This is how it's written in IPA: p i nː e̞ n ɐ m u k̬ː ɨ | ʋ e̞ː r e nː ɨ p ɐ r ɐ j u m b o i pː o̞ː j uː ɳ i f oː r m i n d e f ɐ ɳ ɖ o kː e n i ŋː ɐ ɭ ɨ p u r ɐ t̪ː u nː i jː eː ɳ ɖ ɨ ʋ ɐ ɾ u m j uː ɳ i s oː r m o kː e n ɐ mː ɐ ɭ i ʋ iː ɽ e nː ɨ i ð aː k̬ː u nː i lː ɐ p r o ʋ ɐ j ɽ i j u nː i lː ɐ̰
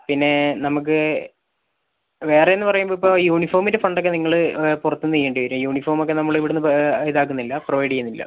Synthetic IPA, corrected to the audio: p i nː e̞ n ɐ m u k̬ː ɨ | ʋ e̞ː r e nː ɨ p ɐ r ɐ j u m b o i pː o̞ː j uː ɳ i f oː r m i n d e f ɐ ɳ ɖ o kː e n i ŋː ɐ ɭ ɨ p u r ɐ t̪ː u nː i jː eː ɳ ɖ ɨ ʋ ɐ ɾ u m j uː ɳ i f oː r m o kː e n ɐ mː ɐ ɭ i ʋ i ɽ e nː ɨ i ð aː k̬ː u nː i lː ɐ p r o ʋ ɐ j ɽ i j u nː i lː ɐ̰

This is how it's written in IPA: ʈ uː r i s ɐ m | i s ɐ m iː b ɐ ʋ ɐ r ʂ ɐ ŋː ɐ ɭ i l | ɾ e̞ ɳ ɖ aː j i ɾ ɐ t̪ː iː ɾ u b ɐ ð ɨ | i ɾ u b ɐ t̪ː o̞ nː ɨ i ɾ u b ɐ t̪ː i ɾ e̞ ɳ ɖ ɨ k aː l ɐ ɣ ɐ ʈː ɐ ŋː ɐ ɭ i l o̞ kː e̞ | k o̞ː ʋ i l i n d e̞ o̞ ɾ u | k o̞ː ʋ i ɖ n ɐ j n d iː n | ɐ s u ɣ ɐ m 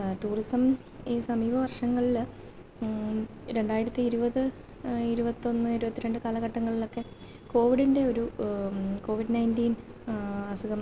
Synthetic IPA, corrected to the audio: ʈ uː r i s ɐ m | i s ɐ m iː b ɐ ʋ ɐ r ʂ ɐ ŋː ɐ ɭ i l | ɾ e̞ ɳ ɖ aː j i ɾ ɐ t̪ː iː ɾ u b ɐ ð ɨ | i ɾ u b ɐ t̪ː o̞ nː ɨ i ɾ u b ɐ t̪ː i ɾ e̞ ɳ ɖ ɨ k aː l ɐ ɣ ɐ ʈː ɐ ŋː ɐ ɭ i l o̞ kː e̞ | k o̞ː ʋ i ɽ i n d e̞ o̞ ɾ u | k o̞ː ʋ i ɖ n ɐ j n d iː n | ɐ s u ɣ ɐ m

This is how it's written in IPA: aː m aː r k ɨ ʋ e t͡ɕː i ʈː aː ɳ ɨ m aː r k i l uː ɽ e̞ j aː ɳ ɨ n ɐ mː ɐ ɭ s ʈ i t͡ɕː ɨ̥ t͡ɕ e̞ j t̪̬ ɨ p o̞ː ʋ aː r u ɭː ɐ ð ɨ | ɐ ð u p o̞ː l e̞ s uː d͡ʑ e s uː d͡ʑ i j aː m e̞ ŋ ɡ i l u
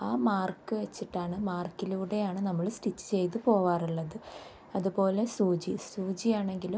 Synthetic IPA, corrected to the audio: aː m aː r k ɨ ʋ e t͡ɕː i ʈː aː ɳ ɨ m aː r k i l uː ɽ e̞ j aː ɳ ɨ n ɐ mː ɐ ɭ s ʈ i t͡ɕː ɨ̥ t͡ɕ e̞ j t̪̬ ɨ p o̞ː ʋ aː r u ɭː ɐ ð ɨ | ɐ ð u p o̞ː l e̞ s uː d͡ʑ i s uː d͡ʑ i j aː ɳ e̞ ŋ ɡ i l u

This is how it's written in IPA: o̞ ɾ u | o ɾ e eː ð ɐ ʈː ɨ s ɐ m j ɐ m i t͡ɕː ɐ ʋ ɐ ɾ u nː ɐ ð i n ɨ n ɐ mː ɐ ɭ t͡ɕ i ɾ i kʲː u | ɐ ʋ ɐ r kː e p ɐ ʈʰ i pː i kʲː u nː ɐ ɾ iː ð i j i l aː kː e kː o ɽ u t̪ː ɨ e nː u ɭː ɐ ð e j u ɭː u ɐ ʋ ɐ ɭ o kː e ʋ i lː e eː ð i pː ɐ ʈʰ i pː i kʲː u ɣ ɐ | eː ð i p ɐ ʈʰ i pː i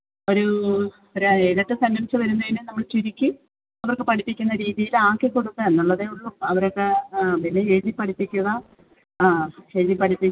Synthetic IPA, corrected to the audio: o̞ ɾ u | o ɾ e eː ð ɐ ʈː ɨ s ɐ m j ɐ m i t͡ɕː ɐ ʋ ɐ ɾ u nː ɐ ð i n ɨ n ɐ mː ɐ ɭ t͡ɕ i ɾ i kʲː u | ɐ ʋ ɐ r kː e p ɐ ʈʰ i pː i kʲː u nː ɐ ɾ iː ð i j i l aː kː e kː o ɽ u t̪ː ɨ e nː u ɭː ɐ ð e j u ɭː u ɐ ʋ ɐ ɾ o kː e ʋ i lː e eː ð i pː ɐ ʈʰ i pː i kʲː u ɣ ɐ | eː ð i p ɐ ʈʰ i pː i

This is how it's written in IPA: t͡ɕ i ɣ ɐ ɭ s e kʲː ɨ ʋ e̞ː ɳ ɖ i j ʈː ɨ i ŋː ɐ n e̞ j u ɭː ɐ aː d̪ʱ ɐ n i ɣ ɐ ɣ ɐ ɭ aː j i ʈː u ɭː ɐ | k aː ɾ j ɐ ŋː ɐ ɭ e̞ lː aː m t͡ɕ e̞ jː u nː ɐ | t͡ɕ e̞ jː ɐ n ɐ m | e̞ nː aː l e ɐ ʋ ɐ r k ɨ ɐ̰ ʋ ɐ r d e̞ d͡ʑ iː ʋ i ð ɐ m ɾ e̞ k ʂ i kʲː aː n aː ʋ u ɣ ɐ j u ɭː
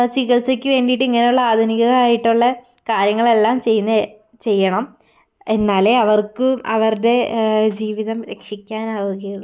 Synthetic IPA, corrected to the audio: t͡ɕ i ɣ ɐ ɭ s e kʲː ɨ ʋ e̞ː ɳ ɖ i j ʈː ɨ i ŋː ɐ n e̞ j u ɭː ɐ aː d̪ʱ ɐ n i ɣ ɐ ɣ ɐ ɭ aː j i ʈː u ɭː ɐ | k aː ɾ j ɐ ŋː ɐ ɭ e̞ lː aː m t͡ɕ e̞ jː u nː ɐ | t͡ɕ e̞ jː ɐ ɳ ɐ m | e̞ nː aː l e ɐ ʋ ɐ r k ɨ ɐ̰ ʋ ɐ r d e̞ d͡ʑ iː ʋ i ð ɐ m ɾ e̞ k ʂ i kʲː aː n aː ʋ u ɣ ɐ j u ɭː

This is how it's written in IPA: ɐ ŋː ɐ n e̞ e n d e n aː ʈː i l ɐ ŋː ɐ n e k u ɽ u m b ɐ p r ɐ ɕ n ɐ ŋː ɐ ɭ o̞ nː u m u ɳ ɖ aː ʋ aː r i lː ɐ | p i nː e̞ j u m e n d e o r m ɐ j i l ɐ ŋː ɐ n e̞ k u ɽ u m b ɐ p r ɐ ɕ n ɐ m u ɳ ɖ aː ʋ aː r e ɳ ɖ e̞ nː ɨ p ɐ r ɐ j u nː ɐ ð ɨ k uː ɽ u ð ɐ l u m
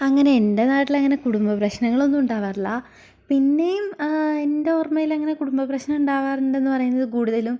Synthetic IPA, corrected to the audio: ɐ ŋː ɐ n e̞ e n d e n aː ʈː i l ɐ ŋː ɐ n e k u ɽ u m b ɐ p r ɐ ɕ n ɐ ŋː ɐ ɭ o̞ nː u m u ɳ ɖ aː ʋ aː r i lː ɐ | p i nː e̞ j u m e n d e o r m ɐ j i l ɐ ŋː ɐ n e̞ k u ɽ u m b ɐ p r ɐ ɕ n ɐ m u ɳ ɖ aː ʋ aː r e ɳ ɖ e̞ nː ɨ p ɐ r ɐ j u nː ɐ ð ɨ k uː ɽ u ð ɐ l u m

